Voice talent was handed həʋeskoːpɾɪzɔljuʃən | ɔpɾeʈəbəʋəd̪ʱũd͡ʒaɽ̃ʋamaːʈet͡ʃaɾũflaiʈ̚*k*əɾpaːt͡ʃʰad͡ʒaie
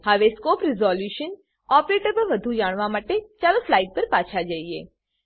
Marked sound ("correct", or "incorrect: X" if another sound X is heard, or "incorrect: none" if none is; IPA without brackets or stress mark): incorrect: p